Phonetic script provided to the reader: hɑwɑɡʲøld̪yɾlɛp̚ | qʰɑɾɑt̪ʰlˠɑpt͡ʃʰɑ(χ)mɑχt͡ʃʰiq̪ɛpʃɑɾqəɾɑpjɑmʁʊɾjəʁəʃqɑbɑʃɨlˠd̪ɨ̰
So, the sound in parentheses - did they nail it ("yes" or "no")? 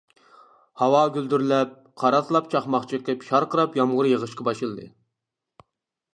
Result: yes